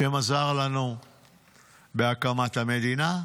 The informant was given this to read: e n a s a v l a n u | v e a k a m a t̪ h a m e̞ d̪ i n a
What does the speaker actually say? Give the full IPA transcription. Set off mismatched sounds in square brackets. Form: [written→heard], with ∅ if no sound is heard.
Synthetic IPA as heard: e [n→m] a [s→z] a [v→ʁ] l a n u | [v→b] e a k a m a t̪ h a m e̞ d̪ i n a